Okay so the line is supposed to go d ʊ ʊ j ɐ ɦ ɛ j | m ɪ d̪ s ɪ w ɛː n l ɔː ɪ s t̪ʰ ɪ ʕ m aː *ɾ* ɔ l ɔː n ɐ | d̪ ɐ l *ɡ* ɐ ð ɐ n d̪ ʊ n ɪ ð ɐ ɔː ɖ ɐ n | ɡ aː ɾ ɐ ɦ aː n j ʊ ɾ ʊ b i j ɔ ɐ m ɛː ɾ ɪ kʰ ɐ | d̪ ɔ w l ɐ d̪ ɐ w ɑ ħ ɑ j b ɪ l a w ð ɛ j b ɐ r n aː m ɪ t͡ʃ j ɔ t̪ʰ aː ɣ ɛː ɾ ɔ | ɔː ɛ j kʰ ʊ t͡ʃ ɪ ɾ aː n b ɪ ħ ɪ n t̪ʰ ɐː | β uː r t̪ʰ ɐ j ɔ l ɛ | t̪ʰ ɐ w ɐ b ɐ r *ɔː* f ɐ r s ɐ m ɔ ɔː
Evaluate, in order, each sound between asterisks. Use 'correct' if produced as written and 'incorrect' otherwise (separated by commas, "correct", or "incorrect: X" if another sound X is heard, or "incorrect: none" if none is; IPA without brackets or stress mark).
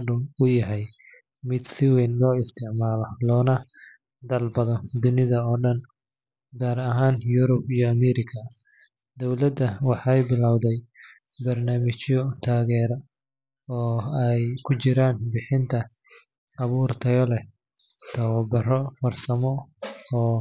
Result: incorrect: l, incorrect: b, incorrect: ɔ